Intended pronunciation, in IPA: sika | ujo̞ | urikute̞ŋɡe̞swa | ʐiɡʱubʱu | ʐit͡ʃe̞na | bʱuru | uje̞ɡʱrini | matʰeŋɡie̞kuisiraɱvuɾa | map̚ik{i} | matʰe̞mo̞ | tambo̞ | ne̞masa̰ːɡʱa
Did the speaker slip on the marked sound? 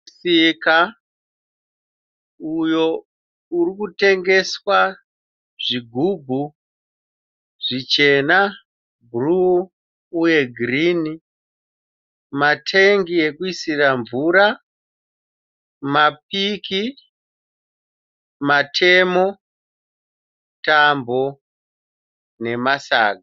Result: no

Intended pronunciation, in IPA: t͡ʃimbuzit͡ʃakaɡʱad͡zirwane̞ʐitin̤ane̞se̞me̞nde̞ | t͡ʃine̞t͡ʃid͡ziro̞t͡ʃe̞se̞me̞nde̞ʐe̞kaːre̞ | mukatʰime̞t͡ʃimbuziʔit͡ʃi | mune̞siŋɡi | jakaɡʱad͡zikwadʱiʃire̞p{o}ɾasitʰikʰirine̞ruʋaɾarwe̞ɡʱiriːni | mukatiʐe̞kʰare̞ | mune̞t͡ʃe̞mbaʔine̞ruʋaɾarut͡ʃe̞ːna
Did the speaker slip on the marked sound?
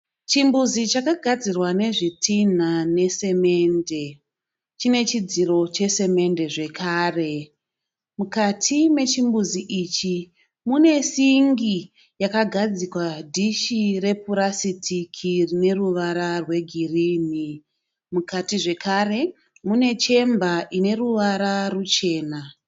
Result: yes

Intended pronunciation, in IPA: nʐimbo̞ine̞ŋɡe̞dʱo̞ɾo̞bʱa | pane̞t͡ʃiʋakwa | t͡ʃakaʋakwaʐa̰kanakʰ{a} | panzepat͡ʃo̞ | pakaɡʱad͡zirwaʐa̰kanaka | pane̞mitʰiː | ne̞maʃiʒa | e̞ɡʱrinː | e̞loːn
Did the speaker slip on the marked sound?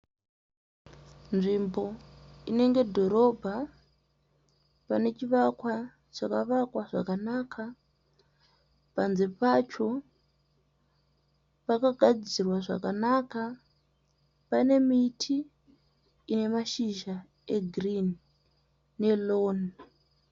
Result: no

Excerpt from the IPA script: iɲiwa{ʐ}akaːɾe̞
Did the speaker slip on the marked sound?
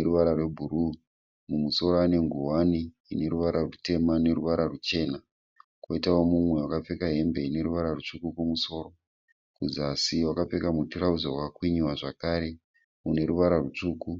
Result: no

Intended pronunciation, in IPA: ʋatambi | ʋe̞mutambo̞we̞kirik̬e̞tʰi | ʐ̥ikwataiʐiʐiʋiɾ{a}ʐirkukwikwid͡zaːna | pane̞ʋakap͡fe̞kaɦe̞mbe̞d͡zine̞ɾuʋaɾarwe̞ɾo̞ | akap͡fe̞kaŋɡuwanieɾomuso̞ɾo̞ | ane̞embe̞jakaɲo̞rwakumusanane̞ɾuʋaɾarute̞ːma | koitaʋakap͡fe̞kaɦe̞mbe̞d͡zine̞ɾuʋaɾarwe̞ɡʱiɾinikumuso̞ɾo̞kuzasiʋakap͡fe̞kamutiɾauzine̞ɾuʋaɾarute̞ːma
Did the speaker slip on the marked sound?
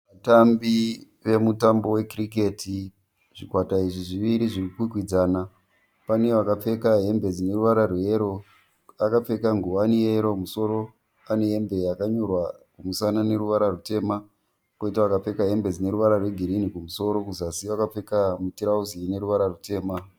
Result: yes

